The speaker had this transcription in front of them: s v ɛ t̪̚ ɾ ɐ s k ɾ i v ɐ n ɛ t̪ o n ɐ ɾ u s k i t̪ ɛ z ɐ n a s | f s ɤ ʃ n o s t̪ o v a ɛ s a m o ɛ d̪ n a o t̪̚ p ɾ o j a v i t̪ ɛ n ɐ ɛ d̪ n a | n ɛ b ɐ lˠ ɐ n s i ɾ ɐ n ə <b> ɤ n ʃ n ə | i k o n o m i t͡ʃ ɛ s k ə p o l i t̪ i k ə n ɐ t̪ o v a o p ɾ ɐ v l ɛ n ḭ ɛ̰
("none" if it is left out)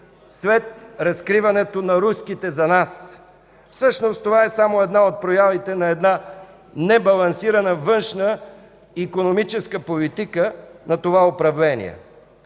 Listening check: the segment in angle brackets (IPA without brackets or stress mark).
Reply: v